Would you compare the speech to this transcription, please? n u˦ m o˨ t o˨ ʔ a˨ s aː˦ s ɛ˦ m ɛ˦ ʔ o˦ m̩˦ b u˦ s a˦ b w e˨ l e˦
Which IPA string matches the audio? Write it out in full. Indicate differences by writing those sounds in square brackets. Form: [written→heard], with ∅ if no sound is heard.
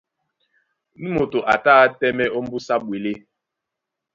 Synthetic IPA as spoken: n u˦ m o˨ t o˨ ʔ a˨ [s→t] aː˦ [s→t] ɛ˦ m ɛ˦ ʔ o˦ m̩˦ b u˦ s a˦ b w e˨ l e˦